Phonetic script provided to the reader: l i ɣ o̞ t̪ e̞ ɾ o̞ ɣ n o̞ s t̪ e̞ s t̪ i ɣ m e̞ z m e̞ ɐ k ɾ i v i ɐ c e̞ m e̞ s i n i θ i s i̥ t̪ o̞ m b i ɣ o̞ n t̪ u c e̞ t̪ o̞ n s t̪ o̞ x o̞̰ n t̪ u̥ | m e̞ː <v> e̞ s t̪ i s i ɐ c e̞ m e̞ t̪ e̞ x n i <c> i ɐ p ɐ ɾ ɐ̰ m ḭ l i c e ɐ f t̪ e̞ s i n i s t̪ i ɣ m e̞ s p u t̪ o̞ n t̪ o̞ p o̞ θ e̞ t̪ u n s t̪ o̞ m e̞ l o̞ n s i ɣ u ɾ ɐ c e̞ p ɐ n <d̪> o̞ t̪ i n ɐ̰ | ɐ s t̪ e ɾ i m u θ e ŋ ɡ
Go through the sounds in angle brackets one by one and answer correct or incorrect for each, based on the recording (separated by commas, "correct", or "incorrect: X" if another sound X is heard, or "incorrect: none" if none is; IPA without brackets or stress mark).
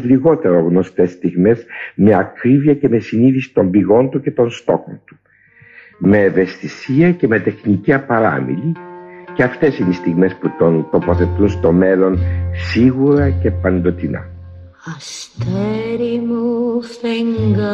correct, correct, correct